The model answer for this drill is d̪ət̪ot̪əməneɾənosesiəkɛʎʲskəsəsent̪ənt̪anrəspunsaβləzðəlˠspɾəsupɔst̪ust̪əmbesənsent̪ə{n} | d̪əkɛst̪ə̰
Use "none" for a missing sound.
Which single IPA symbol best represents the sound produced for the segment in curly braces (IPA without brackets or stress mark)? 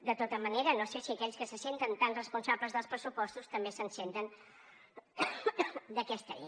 n